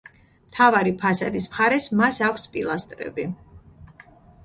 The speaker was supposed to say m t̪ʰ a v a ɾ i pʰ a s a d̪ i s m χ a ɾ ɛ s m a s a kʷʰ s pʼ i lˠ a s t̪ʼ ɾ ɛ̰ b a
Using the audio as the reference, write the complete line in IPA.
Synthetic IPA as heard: m t̪ʰ a v a ɾ i pʰ a s a d̪ i s m χ a ɾ ɛ s m a s a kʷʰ s pʼ i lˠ a s t̪ʼ ɾ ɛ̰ b i